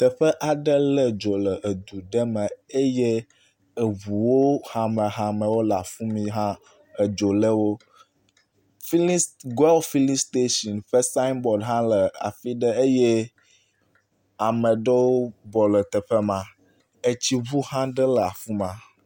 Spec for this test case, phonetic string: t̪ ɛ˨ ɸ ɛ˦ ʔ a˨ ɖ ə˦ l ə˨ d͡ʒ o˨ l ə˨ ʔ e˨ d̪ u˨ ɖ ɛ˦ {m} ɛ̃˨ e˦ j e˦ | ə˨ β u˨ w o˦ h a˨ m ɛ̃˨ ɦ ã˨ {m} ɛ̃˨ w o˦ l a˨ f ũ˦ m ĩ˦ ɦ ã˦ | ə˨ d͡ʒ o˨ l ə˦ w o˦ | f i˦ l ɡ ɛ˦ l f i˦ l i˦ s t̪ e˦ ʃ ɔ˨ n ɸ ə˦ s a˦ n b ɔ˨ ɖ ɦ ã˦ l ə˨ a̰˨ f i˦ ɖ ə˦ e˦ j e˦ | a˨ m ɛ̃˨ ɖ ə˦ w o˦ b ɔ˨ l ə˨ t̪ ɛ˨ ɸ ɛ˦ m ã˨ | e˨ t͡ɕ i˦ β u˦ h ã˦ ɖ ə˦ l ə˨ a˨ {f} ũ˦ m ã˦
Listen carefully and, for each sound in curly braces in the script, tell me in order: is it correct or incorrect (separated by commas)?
correct, correct, correct